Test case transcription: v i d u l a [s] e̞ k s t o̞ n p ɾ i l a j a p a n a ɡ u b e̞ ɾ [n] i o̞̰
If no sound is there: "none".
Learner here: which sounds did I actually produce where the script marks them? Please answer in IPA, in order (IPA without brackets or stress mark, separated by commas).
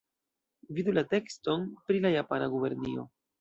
t, n